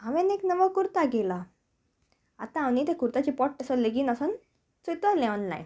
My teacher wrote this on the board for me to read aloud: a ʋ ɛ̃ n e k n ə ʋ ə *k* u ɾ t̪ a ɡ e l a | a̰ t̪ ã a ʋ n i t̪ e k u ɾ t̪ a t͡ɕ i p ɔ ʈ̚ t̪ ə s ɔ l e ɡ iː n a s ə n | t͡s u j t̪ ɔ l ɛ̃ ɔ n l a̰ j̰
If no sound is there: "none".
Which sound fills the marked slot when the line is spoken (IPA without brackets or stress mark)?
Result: k